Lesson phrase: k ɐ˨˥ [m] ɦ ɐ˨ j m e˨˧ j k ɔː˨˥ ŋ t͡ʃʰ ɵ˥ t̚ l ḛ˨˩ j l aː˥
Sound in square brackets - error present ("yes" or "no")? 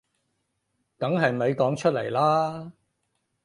yes